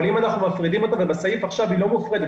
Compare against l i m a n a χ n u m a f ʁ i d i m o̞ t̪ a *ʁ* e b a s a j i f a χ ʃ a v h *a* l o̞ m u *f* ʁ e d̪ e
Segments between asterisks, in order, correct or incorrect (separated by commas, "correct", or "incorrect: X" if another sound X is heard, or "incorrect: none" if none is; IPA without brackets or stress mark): incorrect: v, incorrect: i, correct